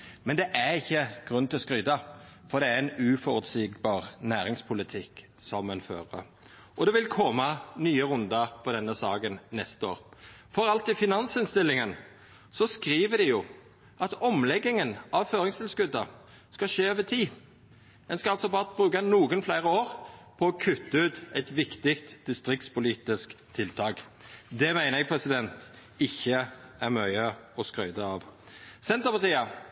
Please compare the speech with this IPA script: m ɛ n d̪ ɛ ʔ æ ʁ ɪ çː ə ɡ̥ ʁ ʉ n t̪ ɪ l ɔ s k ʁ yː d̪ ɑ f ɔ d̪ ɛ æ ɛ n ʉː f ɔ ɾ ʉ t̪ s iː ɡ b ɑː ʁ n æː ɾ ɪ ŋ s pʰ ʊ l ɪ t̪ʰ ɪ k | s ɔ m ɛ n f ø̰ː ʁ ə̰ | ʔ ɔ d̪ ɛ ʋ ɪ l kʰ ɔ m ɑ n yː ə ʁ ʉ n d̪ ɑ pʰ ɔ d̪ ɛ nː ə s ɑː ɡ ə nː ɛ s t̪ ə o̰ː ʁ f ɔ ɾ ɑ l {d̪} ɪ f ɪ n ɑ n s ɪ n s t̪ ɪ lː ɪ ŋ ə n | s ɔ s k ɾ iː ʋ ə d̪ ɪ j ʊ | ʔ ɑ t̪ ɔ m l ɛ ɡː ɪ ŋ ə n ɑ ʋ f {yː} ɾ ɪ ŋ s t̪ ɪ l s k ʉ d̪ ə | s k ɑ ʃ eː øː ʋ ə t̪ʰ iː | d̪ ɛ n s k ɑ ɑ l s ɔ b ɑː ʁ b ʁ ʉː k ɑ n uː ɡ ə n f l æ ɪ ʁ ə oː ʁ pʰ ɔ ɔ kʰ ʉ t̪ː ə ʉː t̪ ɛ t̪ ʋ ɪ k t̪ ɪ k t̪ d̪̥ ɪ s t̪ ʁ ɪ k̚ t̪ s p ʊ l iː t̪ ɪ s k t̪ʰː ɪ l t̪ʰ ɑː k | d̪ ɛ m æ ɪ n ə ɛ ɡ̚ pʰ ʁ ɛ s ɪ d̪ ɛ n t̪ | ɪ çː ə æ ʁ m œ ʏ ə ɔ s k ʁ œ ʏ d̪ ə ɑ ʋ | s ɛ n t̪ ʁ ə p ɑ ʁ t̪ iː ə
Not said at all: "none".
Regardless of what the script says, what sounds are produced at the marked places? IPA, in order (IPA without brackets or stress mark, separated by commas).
t̪, øː